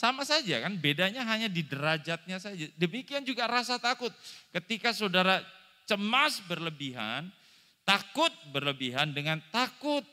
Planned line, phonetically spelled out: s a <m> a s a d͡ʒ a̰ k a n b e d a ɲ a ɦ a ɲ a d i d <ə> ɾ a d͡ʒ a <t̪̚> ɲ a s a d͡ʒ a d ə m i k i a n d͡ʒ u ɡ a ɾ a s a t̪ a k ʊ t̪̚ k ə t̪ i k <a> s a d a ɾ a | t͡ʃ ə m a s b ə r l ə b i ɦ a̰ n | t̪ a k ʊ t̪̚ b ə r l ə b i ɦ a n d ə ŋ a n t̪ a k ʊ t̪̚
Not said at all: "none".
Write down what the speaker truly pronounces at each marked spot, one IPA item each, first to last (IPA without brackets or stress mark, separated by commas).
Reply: m, ə, t̪̚, a